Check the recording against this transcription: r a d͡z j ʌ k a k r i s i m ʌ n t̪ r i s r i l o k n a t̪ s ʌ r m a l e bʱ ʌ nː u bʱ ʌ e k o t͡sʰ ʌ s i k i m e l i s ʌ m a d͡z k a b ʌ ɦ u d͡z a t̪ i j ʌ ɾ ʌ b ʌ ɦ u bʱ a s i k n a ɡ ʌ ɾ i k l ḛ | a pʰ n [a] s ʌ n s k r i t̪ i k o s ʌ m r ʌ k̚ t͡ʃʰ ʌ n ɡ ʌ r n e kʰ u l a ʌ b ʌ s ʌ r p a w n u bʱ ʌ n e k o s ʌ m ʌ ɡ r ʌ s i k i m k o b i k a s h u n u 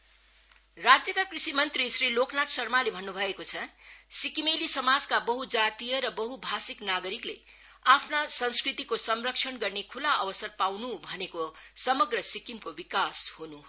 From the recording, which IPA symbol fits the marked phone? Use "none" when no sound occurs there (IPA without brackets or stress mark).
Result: a